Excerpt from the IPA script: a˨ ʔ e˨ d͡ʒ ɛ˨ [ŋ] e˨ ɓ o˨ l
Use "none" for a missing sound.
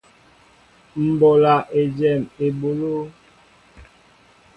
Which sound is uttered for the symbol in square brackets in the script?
m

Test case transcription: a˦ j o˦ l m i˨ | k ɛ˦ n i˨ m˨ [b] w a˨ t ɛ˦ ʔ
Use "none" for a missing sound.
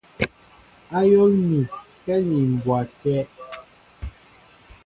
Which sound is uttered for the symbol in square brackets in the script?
b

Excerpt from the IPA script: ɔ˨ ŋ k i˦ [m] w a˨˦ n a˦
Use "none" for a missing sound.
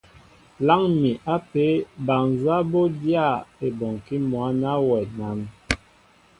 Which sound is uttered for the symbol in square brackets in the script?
m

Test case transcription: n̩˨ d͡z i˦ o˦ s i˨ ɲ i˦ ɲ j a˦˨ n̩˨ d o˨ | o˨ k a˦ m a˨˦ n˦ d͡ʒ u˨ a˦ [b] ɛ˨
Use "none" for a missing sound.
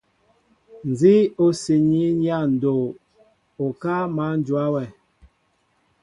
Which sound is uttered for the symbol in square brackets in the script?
w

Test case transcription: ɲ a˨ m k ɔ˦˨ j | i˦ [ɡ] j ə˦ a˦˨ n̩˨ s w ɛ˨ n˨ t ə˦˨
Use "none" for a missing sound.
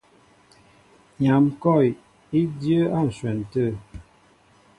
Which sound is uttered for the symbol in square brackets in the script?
d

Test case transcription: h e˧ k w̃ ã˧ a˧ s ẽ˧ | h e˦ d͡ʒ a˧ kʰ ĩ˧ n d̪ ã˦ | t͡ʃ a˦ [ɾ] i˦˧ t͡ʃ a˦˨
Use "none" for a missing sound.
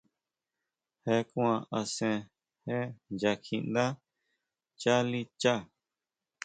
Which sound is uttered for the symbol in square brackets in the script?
l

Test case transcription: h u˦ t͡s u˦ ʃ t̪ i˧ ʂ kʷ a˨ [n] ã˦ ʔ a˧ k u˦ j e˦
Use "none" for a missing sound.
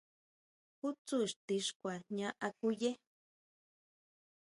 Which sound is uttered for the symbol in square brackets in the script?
ɲ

